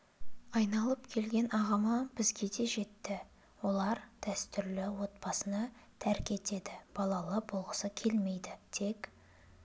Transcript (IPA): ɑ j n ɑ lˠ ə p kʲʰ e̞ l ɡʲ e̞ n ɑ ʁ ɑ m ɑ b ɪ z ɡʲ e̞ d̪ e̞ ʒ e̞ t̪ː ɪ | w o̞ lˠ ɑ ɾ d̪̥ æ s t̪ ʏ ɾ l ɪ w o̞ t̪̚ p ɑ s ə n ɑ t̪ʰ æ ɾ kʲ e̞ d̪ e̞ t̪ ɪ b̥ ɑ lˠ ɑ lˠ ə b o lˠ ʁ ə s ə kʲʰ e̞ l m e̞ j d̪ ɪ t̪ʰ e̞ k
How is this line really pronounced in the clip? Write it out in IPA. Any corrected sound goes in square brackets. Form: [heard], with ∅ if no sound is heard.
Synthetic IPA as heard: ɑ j n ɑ lˠ ə p kʲʰ e̞ l ɡʲ e̞ n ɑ ʁ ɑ m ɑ b ɪ z ɡʲ e̞ d̪ e̞ ʒ e̞ t̪ː ɪ | w o̞ lˠ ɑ ɾ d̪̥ æ s t̪ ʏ ɾ l ɪ w o̞ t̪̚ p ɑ s ə n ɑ t̪ʰ æ ɾ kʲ e̞ [t̪] e̞ [d̪] ɪ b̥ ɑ lˠ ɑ lˠ ə b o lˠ ʁ ə s ə kʲʰ e̞ l m e̞ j d̪ ɪ t̪ʰ e̞ k